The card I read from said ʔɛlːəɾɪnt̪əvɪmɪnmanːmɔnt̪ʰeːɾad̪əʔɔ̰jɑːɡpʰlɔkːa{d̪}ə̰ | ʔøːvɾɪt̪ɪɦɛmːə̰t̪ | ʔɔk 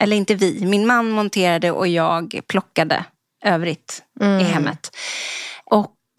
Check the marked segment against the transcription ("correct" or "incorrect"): correct